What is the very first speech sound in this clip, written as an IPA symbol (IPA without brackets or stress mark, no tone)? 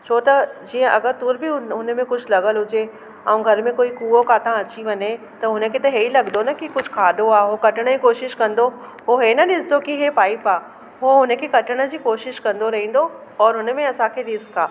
t͡ɕʰ